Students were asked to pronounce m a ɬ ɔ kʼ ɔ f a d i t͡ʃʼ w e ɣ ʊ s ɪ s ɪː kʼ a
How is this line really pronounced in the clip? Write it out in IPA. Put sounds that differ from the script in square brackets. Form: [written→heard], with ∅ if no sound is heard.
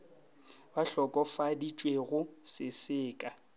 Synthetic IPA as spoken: [m→b] a ɬ ɔ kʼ ɔ f a d i t͡ʃʼ w e ɣ ʊ s ɪ s ɪː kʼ a